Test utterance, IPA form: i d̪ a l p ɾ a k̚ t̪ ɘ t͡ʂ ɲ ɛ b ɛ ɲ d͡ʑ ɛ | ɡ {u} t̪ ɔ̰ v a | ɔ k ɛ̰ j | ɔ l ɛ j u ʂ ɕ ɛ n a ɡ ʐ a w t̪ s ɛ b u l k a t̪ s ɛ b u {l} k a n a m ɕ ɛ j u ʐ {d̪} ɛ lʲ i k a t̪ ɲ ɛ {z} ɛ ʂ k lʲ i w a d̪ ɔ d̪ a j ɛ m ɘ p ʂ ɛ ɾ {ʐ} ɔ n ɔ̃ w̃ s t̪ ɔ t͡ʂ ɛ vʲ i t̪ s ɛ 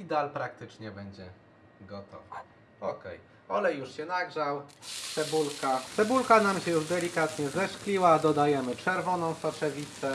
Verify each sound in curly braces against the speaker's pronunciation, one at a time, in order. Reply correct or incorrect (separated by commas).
incorrect, correct, correct, correct, incorrect